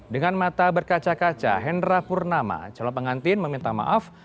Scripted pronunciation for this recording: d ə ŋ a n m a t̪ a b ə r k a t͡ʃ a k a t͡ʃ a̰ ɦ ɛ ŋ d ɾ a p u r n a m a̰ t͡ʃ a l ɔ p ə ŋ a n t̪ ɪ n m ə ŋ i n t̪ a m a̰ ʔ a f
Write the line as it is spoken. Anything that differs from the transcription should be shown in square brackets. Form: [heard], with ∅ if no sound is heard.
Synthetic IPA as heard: d ə ŋ a n m a t̪ a b ə r k a t͡ʃ a k a t͡ʃ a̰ ɦ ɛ [n] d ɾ a p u r n a m a̰ t͡ʃ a l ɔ p ə ŋ a n t̪ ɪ n m ə [m] i n t̪ a m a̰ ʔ a f